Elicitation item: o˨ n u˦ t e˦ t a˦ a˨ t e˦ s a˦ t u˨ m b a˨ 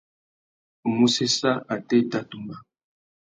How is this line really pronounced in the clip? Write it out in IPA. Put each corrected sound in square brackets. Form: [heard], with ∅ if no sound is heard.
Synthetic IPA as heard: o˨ [m] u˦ [s] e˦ [s] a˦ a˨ t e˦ [t] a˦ t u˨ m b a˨